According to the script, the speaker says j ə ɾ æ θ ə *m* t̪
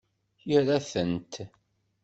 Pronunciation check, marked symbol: incorrect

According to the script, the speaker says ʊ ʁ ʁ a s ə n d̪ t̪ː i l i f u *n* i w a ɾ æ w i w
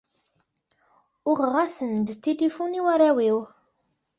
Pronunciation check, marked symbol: correct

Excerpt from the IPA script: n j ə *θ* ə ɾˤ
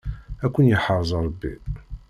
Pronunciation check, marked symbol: incorrect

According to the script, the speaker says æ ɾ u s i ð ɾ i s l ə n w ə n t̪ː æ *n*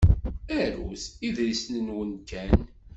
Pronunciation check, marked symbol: correct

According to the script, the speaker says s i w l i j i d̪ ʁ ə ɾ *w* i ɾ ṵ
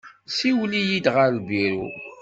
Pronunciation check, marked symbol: incorrect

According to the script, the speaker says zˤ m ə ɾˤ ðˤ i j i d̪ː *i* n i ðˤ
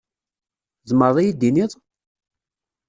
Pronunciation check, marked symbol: correct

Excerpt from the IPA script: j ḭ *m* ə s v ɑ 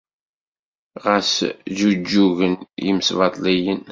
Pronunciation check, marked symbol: correct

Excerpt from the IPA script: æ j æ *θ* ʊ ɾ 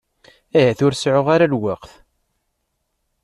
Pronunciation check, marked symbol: correct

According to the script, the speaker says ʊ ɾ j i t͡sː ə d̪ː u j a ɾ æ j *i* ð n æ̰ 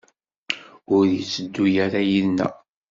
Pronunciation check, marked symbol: correct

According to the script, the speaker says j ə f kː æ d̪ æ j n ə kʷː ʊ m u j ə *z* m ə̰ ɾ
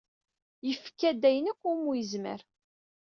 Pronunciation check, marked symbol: correct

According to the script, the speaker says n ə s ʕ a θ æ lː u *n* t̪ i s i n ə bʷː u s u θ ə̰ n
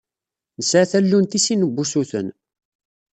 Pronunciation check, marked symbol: correct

